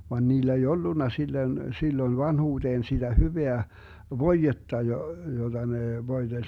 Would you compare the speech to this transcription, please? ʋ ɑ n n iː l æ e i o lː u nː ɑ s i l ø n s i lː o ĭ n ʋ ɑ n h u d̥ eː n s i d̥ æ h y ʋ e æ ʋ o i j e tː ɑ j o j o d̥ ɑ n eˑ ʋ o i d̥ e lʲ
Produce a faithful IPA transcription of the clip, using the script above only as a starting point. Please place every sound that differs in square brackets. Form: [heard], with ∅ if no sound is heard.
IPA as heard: ʋ ɑ n n iː l æ e i o lː u nː ɑ s i [lː] ø n s i lː o ĭ n ʋ ɑ n h [uː] d̥ eː n s i d̥ æ h y ʋ e æ ʋ o i j e tː ɑ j o j o d̥ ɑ n eˑ ʋ o i d̥ e lʲ